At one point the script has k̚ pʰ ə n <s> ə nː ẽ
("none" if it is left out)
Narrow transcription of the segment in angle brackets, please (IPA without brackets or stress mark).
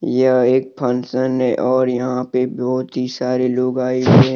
s